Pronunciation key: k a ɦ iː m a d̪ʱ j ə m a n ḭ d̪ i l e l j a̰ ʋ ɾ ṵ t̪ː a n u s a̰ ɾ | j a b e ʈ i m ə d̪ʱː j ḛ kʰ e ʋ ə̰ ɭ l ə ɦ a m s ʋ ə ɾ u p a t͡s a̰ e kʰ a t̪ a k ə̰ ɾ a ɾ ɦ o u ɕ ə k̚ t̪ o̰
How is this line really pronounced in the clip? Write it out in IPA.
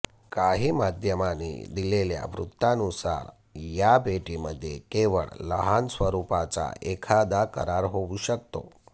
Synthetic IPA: k a ɦ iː m a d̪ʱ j ə m a n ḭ d̪ i l e l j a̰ ʋ ɾ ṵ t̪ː a n u s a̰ ɾ | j a b e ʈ i m ə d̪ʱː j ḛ k e ʋ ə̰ ɭ l ə ɦ a n s ʋ ə ɾ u p a t͡s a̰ e kʰ a d̪ a k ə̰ ɾ a ɾ ɦ o u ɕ ə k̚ t̪ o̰